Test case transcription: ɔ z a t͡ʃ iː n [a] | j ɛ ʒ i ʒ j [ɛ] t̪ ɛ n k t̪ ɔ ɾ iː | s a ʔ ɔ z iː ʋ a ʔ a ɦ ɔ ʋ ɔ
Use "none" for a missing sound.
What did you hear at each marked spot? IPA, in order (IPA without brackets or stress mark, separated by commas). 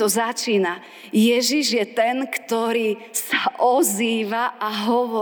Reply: a, ɛ